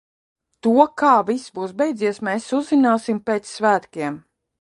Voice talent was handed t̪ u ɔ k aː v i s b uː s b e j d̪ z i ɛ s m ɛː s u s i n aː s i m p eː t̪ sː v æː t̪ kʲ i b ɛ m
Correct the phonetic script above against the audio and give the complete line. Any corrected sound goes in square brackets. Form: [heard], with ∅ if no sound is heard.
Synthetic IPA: t̪ u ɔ k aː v i s b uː s b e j d̪ z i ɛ s m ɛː s u [z] i n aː s i m p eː t̪ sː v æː t̪ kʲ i [∅] ɛ m